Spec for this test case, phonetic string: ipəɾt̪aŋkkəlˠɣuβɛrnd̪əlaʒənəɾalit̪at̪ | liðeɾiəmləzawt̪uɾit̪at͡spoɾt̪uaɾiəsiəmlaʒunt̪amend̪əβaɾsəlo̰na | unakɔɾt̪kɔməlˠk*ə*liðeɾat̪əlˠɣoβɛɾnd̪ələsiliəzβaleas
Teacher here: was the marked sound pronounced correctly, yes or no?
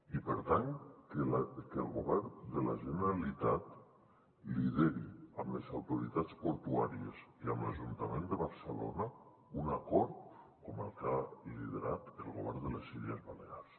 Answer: no